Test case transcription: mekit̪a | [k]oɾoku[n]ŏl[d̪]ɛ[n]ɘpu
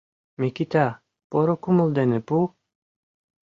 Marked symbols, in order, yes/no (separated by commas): no, no, yes, yes